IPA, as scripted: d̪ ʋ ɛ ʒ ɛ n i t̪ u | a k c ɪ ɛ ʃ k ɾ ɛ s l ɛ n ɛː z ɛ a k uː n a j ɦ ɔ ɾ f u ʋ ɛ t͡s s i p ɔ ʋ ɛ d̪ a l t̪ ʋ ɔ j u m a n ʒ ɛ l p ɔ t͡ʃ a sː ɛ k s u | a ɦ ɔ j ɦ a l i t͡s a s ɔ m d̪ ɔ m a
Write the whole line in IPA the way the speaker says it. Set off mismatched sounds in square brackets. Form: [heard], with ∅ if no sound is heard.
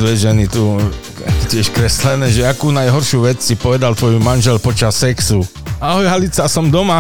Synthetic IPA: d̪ ʋ ɛ ʒ ɛ n i t̪ u | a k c ɪ ɛ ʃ k ɾ ɛ s l ɛ n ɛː [ʒ] ɛ a k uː n a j ɦ ɔ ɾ [ʃ] u ʋ ɛ t͡s s i p ɔ ʋ ɛ d̪ a l t̪ ʋ ɔ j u m a n ʒ ɛ l p ɔ t͡ʃ a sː ɛ k s u | a ɦ ɔ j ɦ a l i t͡s a s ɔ m d̪ ɔ m a